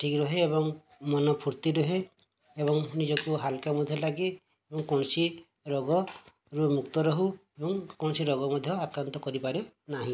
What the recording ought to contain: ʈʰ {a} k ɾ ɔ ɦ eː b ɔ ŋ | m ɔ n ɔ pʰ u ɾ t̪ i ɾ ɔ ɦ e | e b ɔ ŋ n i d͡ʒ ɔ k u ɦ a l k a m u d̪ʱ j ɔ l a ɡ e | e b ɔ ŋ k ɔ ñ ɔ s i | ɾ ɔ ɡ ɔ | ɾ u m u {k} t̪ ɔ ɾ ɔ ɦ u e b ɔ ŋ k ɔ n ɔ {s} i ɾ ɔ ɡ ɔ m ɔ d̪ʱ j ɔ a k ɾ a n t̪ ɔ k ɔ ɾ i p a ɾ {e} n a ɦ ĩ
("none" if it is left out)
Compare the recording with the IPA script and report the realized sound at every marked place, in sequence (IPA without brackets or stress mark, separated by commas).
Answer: i, k, s, e